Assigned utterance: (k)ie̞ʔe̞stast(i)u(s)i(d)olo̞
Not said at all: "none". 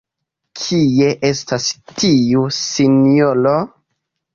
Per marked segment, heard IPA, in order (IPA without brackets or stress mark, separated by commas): kʰ, i, s, n